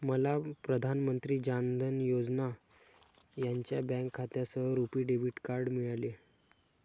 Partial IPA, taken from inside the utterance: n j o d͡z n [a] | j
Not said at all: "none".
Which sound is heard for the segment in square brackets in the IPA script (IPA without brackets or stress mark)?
a